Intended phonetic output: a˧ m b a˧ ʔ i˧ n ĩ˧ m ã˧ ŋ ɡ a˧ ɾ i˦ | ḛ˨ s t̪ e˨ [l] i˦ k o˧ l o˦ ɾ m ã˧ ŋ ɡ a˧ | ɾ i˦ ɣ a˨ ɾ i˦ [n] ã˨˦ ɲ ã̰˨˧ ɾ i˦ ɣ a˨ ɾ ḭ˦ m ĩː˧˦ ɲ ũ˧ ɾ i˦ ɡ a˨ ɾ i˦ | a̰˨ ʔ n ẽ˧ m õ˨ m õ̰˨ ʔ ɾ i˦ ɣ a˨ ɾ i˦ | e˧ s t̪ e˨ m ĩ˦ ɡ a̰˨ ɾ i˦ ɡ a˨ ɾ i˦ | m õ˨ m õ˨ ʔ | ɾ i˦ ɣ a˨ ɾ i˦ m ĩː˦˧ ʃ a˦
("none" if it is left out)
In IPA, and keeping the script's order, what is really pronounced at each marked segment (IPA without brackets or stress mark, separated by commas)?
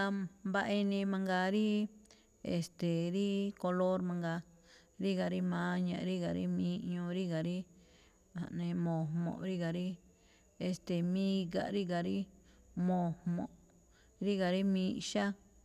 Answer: ɾ, m